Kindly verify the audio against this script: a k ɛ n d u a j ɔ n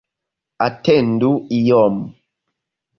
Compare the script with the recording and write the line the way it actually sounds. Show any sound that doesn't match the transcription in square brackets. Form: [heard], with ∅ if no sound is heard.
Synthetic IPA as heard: a [t] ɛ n d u [i] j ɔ [m]